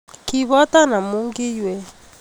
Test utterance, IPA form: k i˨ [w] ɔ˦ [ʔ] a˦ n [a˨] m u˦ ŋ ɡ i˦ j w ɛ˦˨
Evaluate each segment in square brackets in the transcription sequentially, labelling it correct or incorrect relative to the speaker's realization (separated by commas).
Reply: incorrect, incorrect, correct